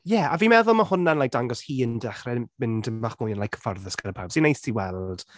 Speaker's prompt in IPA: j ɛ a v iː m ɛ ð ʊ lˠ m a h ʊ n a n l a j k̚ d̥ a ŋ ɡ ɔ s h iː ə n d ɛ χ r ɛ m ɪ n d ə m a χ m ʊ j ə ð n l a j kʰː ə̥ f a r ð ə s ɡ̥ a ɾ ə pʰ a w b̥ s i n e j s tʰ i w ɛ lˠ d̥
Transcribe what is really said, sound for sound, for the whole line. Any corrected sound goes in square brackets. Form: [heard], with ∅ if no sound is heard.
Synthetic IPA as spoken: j ɛ a v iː m ɛ ð ʊ lˠ m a h ʊ n a n l a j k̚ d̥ a ŋ ɡ ɔ s h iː ə n d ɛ χ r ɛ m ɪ n d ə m a χ m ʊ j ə [∅] n l a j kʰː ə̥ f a r ð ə s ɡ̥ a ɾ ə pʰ a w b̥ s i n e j s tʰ i w ɛ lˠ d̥